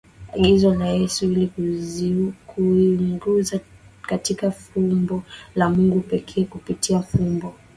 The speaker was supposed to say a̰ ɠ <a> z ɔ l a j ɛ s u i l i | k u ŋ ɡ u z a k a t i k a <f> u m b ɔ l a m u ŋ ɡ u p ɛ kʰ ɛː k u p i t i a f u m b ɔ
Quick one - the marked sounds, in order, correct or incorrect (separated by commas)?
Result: incorrect, correct